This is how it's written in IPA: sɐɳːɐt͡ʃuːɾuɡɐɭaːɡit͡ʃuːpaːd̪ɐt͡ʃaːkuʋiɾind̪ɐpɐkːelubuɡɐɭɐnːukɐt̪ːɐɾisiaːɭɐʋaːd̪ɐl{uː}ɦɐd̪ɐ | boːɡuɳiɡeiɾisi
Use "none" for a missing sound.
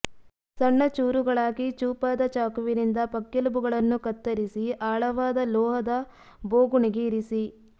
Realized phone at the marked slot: ɔː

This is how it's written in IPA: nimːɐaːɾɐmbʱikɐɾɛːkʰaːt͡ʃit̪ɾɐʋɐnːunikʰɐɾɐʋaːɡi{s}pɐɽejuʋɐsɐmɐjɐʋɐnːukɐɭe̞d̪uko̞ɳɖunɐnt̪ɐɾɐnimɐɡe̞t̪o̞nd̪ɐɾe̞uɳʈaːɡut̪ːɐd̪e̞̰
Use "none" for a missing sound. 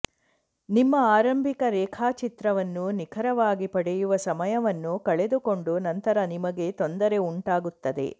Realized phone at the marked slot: none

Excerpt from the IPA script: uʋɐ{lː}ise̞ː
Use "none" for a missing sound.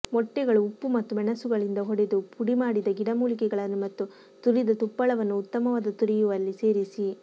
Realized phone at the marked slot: lː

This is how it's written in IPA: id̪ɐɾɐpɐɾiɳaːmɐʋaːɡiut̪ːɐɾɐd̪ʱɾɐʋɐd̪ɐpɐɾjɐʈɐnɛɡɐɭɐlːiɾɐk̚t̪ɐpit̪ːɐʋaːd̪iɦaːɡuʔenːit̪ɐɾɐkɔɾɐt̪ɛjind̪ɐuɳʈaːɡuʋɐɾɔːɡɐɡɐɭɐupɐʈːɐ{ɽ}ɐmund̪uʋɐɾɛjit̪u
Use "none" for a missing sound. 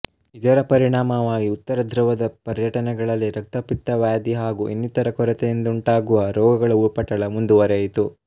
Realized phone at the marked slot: ɭ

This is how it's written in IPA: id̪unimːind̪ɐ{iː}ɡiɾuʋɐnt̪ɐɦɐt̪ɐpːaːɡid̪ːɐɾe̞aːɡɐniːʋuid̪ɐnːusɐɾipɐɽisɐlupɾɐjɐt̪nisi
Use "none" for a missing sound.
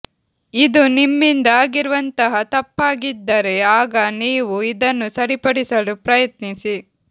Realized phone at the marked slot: aː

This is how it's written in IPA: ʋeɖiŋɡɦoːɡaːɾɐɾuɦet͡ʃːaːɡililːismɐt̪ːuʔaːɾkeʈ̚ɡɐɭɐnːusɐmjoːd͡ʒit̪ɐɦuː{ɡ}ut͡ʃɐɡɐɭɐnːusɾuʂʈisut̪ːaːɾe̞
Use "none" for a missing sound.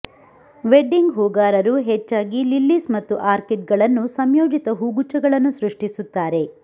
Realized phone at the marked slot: ɡ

